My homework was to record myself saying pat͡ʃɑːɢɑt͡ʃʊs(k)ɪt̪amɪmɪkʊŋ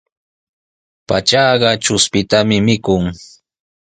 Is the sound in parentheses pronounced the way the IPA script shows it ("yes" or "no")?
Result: no